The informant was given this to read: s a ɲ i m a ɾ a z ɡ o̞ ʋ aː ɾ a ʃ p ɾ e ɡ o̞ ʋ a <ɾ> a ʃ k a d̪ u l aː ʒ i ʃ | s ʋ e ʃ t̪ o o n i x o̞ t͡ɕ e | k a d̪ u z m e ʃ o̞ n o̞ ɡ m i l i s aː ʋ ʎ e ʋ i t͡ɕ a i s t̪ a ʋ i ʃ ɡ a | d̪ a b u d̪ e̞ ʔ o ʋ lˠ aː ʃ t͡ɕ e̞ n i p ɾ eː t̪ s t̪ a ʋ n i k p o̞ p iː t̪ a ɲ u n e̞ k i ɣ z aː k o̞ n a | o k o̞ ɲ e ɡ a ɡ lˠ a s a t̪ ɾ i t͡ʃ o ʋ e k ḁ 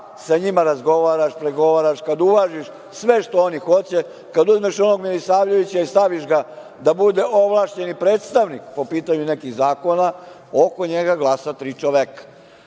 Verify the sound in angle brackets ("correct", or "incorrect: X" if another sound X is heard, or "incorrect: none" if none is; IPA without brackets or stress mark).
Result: correct